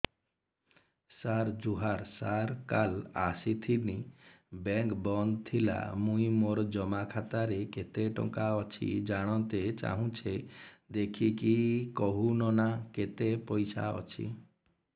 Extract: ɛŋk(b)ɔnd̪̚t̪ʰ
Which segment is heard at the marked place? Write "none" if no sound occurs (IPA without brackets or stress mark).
b